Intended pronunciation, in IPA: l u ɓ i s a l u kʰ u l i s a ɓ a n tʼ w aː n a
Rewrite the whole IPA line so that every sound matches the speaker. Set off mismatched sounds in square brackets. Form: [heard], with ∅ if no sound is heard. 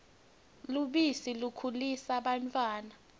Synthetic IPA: l u ɓ i s [i] l u kʰ u l i s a ɓ a n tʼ w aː n a